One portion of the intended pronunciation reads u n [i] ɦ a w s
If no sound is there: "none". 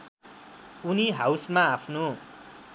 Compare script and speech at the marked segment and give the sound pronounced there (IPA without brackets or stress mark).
i